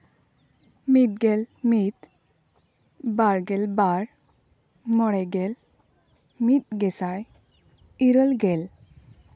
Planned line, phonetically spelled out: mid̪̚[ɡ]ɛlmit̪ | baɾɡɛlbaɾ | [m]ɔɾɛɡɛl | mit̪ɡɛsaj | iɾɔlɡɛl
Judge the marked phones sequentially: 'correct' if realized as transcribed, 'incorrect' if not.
correct, correct

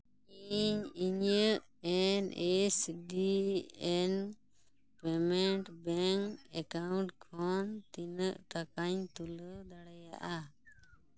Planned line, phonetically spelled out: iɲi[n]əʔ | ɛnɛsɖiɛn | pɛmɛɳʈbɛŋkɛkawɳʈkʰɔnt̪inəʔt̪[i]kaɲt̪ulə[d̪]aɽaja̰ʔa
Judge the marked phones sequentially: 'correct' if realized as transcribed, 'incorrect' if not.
incorrect: ɲ, incorrect: a, correct

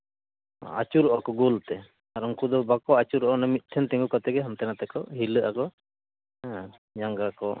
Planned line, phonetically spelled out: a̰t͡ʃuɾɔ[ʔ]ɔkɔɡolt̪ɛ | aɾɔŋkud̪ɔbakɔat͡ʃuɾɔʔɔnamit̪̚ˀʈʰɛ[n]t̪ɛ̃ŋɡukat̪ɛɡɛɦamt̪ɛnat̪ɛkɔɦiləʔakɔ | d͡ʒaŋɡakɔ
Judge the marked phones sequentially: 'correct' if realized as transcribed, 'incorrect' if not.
correct, correct

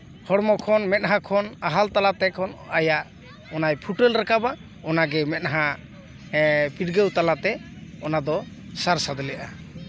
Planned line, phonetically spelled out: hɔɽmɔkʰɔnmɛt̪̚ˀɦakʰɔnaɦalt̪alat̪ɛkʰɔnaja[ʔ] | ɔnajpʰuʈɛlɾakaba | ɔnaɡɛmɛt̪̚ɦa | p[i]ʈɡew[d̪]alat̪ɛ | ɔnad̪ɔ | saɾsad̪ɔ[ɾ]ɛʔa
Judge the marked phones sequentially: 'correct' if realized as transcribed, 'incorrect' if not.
correct, correct, incorrect: t̪, incorrect: l

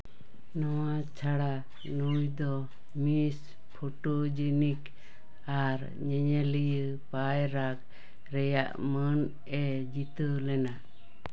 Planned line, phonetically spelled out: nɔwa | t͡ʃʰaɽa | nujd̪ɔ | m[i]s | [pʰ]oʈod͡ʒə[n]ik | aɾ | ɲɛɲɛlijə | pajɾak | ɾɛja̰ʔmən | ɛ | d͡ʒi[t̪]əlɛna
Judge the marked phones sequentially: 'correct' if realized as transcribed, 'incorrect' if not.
correct, correct, correct, correct

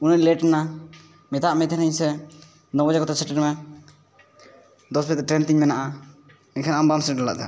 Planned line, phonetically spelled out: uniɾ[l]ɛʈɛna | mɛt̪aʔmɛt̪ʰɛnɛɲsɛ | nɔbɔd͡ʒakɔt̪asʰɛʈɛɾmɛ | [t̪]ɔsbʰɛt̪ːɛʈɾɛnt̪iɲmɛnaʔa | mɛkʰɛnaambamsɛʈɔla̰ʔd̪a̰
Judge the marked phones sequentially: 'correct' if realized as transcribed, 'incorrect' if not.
correct, incorrect: d̪

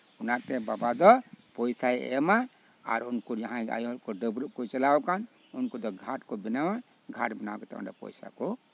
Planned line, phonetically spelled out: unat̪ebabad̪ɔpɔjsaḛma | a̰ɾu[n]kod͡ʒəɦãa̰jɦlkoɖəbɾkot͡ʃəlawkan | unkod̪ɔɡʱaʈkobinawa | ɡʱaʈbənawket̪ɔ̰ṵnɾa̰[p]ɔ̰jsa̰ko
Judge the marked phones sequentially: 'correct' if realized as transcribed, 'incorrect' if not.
correct, correct

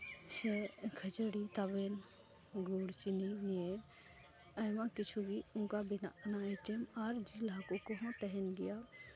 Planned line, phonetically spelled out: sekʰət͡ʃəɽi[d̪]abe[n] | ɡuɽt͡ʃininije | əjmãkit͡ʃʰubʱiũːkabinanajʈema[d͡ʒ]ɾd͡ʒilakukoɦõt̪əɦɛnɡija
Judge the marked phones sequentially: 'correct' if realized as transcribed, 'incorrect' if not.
incorrect: t̪, correct, incorrect: none

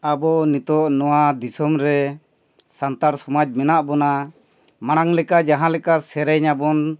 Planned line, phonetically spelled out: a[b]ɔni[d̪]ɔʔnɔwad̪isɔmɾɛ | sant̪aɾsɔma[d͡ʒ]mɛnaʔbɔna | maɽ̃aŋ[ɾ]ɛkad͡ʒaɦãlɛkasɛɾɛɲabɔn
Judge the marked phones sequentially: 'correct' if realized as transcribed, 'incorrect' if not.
correct, incorrect: t̪, correct, incorrect: l

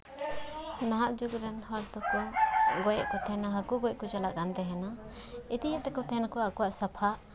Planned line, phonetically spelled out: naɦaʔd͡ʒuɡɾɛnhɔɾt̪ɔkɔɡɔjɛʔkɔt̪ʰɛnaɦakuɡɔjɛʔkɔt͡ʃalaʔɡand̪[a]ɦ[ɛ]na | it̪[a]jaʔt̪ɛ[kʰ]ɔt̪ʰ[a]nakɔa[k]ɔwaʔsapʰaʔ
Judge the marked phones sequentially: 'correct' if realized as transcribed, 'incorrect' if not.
incorrect: ɛ, correct, incorrect: i, incorrect: k, incorrect: ɛ, correct

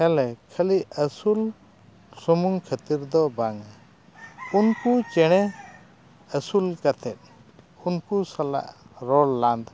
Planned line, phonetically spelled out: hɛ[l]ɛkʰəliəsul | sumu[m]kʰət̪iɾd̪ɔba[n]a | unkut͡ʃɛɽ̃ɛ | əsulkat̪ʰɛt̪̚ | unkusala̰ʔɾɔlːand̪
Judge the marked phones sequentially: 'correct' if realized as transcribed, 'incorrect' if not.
correct, incorrect: ŋ, incorrect: ŋ

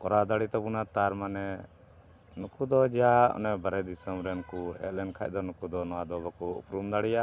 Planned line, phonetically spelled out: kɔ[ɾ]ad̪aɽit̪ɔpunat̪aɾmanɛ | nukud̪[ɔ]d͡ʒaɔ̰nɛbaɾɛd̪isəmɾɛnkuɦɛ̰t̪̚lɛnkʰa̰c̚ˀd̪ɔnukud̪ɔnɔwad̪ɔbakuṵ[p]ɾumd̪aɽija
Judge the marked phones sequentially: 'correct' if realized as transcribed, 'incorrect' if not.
correct, correct, correct

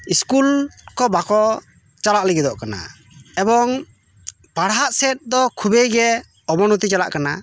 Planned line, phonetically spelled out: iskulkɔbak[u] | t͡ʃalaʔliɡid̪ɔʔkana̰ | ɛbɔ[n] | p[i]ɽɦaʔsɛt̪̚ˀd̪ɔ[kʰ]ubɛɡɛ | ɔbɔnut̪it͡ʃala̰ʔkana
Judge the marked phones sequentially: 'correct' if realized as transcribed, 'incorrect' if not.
incorrect: ɔ, incorrect: ŋ, incorrect: a, correct

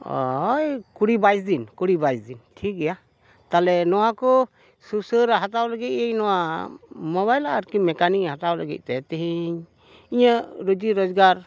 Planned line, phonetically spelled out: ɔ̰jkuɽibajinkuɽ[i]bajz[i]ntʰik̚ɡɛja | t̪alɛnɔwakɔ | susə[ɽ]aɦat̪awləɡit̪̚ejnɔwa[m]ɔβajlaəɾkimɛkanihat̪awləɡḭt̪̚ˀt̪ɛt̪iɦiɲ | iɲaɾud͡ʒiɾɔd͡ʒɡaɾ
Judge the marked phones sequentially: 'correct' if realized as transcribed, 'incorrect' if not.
correct, correct, incorrect: ɾ, correct

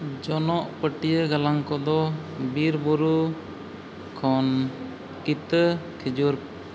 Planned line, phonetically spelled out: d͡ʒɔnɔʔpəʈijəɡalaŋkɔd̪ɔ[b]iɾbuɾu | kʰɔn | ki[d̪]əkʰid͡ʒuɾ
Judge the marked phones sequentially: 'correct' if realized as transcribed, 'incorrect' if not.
correct, incorrect: t̪

